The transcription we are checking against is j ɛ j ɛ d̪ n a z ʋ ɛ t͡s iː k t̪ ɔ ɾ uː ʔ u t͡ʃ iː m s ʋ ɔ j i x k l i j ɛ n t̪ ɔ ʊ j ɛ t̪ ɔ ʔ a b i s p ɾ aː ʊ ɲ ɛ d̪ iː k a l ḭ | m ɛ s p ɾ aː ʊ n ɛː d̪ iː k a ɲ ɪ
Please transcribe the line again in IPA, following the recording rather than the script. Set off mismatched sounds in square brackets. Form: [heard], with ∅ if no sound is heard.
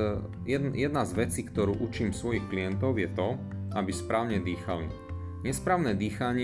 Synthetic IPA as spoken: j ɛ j ɛ d̪ n a z ʋ ɛ t͡s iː k t̪ ɔ ɾ uː ʔ u t͡ʃ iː m s ʋ ɔ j i x k l i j ɛ n t̪ ɔ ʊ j ɛ t̪ ɔ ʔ a b i s p ɾ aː ʊ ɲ ɛ d̪ iː [x] a l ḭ | [ɲ] ɛ s p ɾ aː ʊ n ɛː d̪ iː [x] a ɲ ɪ